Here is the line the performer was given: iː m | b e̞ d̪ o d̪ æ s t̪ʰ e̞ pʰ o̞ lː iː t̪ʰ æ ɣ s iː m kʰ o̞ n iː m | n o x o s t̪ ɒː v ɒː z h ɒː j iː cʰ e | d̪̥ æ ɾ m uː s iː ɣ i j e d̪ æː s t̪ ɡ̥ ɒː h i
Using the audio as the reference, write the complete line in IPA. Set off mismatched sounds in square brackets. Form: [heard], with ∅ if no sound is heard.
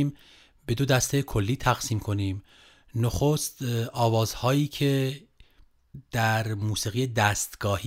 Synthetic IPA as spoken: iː m | b e̞ d̪ o d̪ æ s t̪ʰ e̞ [kʰ] o̞ lː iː t̪ʰ æ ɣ s iː m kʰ o̞ n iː m | n o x o s t̪ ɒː v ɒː z h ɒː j iː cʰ e | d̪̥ æ ɾ m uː s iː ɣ i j e d̪ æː s t̪ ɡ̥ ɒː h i